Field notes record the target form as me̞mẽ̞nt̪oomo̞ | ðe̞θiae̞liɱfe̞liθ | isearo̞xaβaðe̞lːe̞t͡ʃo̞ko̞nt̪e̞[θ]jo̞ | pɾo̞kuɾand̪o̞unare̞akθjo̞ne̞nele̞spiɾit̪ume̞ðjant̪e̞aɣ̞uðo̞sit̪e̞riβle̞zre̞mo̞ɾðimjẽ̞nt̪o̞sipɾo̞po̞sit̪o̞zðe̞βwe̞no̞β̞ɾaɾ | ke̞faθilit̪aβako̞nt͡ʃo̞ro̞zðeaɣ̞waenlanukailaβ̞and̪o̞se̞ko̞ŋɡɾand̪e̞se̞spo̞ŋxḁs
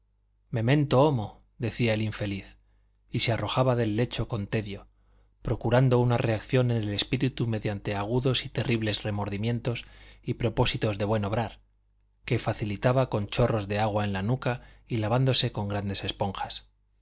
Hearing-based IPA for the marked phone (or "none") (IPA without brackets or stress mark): ð